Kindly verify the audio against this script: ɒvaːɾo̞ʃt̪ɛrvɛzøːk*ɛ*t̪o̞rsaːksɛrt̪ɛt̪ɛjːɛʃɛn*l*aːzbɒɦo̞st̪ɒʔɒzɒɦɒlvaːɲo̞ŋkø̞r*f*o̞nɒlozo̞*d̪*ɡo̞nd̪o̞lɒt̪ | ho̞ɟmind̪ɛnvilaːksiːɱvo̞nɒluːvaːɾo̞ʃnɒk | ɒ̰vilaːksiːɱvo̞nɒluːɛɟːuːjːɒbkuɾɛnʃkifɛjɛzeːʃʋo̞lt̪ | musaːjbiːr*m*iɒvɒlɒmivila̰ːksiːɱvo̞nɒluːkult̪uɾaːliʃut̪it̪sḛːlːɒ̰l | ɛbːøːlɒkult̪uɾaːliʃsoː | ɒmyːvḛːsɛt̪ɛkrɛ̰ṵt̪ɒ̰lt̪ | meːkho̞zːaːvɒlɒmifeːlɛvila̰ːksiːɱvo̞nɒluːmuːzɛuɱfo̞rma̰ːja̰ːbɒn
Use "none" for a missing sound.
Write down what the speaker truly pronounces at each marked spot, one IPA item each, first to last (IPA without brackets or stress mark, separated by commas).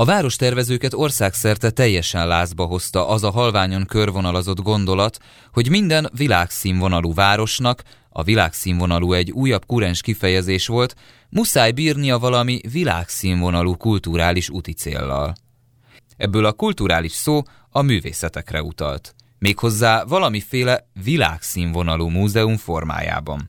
ɛ, l, v, d̪, n